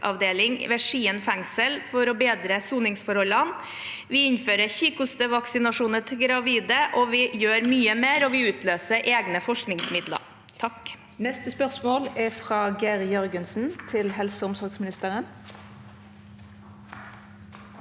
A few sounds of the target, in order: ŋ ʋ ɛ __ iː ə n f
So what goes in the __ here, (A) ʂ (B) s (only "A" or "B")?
A